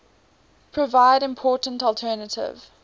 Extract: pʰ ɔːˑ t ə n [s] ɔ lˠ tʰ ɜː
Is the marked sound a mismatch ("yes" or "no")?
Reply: yes